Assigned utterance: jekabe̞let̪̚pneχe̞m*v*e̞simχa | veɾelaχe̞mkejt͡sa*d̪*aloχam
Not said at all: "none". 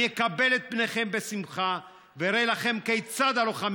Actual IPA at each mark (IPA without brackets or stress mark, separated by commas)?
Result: b, d̪